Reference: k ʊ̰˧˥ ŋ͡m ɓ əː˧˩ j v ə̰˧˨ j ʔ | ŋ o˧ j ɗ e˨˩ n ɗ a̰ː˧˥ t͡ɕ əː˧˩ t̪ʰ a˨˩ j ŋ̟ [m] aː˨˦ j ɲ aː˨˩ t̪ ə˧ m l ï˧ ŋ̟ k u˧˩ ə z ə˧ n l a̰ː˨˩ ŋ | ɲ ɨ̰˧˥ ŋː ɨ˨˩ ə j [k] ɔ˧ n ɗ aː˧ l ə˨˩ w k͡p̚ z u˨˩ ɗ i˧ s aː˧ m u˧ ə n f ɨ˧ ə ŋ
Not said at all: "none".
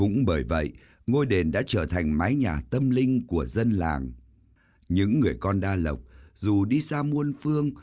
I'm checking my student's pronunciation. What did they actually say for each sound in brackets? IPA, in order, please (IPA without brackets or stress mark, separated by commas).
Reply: m, k